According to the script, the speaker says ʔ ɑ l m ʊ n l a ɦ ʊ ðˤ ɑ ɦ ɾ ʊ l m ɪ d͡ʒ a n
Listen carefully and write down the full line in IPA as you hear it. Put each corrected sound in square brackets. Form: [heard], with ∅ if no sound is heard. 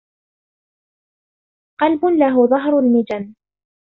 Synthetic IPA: [q] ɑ l [b] ʊ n l a ɦ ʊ ðˤ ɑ ɦ ɾ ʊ l m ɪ d͡ʒ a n